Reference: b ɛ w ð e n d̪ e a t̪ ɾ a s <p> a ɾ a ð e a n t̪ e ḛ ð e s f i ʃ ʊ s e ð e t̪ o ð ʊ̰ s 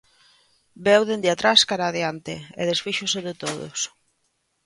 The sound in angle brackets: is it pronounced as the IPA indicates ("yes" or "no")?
no